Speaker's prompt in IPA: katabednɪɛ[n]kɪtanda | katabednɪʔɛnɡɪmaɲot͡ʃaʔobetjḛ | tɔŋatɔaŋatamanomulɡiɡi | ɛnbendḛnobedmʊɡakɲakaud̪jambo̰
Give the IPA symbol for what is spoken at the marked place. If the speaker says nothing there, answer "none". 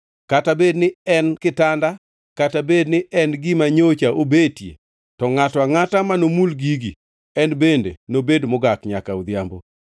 n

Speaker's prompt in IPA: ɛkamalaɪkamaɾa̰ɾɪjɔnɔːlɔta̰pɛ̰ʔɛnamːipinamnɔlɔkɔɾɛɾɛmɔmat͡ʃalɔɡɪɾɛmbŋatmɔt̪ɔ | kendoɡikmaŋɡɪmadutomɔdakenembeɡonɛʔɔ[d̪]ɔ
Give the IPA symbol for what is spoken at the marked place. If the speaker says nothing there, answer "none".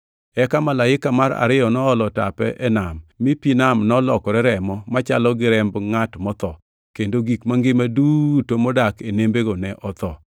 t̪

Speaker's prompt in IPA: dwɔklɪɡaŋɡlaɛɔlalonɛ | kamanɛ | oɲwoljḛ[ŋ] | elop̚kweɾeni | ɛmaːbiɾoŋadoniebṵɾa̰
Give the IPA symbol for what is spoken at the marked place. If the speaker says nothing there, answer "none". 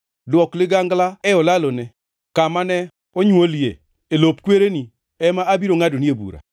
none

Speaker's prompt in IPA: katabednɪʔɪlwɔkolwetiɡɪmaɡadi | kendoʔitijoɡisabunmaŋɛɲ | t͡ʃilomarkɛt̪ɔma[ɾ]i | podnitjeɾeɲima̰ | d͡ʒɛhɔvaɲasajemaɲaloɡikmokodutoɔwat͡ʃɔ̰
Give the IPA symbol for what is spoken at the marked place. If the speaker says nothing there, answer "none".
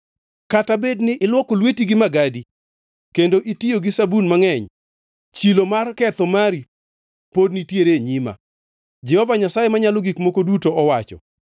ɾ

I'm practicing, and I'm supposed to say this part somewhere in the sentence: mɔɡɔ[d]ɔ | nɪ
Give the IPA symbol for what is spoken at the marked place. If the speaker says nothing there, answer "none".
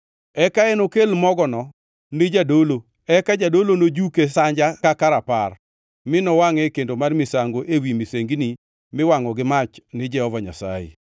n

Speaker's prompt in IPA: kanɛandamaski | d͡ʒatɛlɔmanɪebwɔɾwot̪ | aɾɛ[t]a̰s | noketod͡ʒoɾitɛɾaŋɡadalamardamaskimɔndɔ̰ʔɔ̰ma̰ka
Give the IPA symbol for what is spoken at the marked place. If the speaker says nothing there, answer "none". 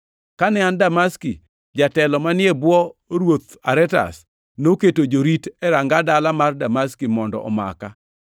t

